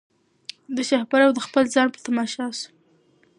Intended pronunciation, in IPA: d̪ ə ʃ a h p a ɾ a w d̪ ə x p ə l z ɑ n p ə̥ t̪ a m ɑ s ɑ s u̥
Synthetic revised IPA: d̪ ə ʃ a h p a ɾ a w d̪ ə x p ə l z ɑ n p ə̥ t̪ a m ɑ ʃ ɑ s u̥